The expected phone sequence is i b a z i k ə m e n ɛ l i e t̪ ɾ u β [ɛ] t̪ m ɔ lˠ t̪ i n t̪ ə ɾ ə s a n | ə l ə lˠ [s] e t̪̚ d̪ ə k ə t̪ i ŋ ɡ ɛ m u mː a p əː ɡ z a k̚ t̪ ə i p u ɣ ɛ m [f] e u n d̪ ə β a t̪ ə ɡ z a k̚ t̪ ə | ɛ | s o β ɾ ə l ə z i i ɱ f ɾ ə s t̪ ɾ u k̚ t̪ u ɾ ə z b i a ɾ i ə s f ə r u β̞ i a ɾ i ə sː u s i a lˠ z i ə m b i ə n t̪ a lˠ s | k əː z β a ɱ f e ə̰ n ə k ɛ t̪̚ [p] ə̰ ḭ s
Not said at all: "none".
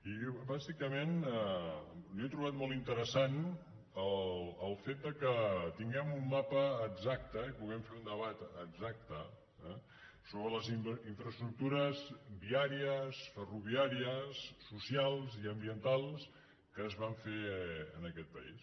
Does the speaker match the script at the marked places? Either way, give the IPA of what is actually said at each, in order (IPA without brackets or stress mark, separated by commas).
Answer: a, f, f, p